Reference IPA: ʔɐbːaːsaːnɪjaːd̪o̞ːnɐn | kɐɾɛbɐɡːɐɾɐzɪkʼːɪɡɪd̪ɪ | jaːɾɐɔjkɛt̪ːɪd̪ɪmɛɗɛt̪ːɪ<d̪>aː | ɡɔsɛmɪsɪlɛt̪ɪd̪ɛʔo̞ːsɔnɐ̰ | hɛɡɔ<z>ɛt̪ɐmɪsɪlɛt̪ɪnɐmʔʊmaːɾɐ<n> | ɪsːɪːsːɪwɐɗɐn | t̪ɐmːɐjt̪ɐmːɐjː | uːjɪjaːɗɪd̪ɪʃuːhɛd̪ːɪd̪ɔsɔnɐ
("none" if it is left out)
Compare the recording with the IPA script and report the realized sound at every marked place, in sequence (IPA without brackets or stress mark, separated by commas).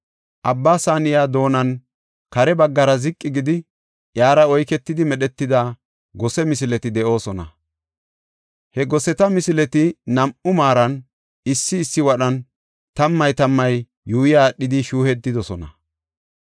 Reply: d̪, s, n